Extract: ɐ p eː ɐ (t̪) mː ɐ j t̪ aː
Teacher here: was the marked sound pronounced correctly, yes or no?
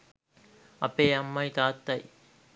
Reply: no